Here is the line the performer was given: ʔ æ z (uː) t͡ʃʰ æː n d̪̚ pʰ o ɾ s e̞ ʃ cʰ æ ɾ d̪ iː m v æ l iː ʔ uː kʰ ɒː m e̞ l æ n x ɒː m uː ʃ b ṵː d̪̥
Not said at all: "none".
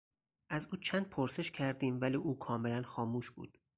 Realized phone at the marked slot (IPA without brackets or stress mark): uː